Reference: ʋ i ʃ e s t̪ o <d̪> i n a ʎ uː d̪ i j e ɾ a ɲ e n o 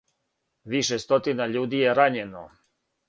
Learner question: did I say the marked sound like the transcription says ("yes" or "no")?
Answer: no